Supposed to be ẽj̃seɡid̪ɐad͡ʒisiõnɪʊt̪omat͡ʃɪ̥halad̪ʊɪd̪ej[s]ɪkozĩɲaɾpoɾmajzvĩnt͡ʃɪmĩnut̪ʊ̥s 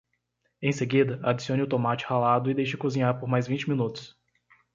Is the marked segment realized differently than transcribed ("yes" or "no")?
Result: yes